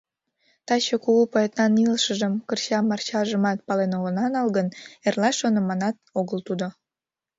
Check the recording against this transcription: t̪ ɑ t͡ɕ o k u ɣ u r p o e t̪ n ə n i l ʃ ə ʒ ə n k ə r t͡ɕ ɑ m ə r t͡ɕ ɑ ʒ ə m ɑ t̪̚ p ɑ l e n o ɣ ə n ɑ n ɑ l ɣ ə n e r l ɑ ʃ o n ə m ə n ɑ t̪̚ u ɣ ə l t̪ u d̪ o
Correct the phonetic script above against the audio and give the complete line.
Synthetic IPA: t̪ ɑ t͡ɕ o k u ɣ u p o e t̪ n ɑ n i l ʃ ə ʒ ə m k ə r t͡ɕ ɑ m ɑ r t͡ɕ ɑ ʒ ə m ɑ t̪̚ p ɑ l e n o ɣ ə n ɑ n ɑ l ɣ ə n e r l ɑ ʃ o n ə m ɑ n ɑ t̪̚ o ɣ ə l t̪ u d̪ o